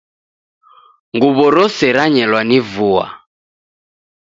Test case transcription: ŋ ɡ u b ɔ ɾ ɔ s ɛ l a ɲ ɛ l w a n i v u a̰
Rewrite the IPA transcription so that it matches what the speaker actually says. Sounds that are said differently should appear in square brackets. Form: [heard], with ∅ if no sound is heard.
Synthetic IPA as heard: ŋ ɡ u [β] ɔ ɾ ɔ s ɛ [ɾ] a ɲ ɛ l w a n i v u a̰